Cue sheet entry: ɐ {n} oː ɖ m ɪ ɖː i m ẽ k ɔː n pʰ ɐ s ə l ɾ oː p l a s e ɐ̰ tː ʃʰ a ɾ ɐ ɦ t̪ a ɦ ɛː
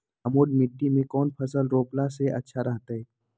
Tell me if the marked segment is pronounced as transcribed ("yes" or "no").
no